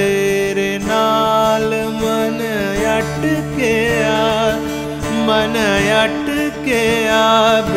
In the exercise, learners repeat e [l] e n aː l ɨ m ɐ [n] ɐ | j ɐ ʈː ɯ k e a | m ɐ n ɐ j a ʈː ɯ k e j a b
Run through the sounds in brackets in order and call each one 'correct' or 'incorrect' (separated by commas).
incorrect, correct